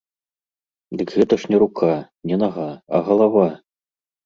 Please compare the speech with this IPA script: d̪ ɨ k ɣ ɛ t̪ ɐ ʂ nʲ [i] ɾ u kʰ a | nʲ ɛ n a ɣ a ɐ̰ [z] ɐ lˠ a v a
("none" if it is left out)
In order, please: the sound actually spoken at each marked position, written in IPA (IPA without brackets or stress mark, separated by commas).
ɛ, ɣ